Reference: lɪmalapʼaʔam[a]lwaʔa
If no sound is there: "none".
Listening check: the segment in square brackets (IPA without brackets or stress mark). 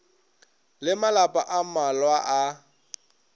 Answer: a